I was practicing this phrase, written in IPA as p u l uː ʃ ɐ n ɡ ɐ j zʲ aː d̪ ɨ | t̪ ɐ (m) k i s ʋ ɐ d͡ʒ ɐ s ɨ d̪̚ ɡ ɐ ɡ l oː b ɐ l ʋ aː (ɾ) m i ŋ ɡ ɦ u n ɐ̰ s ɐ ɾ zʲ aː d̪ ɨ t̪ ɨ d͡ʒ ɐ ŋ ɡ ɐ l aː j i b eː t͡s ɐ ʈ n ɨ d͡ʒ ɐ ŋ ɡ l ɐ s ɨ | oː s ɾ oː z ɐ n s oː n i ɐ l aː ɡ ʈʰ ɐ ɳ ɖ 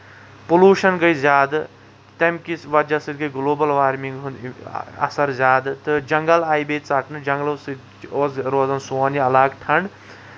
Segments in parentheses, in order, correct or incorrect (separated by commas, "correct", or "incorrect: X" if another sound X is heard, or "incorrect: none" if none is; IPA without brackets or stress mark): correct, correct